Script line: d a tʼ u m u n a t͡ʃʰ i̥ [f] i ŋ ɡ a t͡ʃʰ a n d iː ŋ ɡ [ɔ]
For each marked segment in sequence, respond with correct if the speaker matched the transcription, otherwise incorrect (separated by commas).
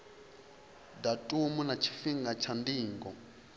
correct, correct